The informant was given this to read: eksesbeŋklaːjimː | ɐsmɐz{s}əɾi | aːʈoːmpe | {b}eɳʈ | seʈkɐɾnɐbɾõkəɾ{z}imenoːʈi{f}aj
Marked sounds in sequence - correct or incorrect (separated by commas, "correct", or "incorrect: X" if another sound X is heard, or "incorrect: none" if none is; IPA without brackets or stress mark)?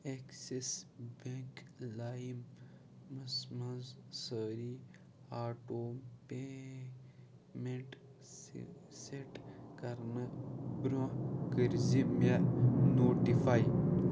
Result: correct, incorrect: m, correct, correct